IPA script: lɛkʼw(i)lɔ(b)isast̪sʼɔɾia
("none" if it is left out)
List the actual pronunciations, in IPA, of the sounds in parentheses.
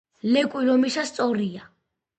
i, m

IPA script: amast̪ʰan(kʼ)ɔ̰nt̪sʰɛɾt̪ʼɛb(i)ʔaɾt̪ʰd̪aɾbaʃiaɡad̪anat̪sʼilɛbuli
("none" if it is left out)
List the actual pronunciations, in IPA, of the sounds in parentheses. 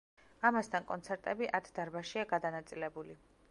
kʼ, i

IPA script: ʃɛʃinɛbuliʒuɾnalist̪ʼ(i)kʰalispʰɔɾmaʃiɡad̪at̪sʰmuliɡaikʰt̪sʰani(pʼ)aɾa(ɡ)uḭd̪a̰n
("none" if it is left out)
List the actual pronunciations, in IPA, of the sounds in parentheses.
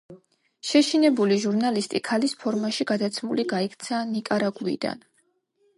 i, kʼ, ɡ

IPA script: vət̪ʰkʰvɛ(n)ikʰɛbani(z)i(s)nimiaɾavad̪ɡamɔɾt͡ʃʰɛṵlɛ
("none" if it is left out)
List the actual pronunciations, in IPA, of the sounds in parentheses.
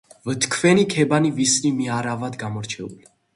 n, v, s

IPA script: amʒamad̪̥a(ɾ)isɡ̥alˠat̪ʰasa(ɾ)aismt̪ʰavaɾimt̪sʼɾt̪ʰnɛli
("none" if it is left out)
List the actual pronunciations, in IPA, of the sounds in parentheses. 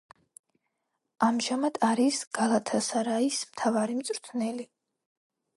ɾ, ɾ

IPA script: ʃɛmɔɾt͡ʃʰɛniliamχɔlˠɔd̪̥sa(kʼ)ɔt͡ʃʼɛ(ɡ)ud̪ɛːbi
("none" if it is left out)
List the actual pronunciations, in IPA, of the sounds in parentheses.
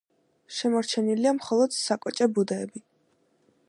kʼ, b

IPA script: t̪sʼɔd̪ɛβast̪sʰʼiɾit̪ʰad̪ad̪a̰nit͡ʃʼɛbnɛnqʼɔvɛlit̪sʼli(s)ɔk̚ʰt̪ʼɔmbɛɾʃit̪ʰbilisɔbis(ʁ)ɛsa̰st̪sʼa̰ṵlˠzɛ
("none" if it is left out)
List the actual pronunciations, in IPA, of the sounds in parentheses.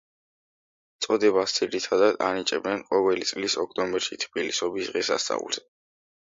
s, ʁ

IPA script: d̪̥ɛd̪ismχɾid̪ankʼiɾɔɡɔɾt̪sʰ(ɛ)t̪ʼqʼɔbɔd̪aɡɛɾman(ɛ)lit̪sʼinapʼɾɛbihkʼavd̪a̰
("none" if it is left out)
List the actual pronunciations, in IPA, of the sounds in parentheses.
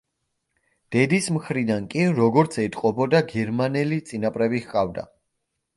ɛ, ɛ

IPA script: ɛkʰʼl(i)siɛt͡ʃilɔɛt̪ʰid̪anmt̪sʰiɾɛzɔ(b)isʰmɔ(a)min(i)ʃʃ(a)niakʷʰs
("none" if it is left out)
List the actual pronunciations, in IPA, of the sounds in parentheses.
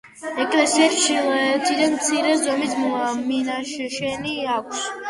ɛ, m, a, a, ɛ

